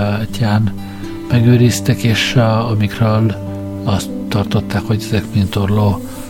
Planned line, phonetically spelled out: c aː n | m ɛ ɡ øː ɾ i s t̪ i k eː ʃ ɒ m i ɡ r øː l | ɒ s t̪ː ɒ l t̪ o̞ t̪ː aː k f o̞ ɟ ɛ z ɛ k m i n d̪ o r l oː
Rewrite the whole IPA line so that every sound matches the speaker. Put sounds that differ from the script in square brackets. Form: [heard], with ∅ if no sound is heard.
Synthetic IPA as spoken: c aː n | m ɛ ɡ øː ɾ i s t̪ [ɛ] k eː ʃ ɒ m i [k] r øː l | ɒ s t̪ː ɒ [r] t̪ o̞ t̪ː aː k [h] o̞ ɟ ɛ z ɛ k m i n [t̪] o r l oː